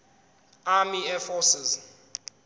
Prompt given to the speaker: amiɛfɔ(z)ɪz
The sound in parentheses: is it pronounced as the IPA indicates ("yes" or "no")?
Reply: no